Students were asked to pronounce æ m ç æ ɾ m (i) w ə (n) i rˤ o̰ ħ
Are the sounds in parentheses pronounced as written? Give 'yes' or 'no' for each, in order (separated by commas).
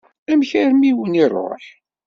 yes, yes